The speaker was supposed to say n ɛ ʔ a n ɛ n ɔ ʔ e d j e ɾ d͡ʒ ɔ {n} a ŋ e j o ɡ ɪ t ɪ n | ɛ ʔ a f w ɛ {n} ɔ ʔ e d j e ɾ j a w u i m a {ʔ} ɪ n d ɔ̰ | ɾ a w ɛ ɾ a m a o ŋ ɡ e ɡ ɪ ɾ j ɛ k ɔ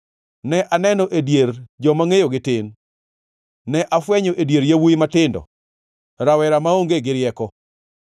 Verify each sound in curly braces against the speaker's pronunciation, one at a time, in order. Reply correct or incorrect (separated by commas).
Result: incorrect, incorrect, incorrect